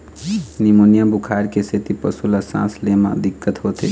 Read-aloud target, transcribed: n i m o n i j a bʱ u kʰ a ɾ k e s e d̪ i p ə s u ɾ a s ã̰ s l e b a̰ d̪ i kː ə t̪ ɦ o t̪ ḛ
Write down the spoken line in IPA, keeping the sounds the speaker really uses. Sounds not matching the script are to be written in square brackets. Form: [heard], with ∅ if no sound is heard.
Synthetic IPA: n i m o n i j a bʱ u kʰ a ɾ k e s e [t̪] i p ə s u [l] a s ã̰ s l e [m] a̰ d̪ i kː ə t̪ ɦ o t̪ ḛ